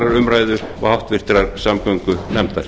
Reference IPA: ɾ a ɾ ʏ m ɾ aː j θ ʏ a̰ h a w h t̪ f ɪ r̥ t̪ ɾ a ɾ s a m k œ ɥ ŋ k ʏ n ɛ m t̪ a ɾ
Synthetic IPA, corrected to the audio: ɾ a ɾ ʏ m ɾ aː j ð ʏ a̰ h a w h t̪ v ɪ r̥ t̪ ɾ a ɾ s a m k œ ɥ ŋ k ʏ n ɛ m t̪ a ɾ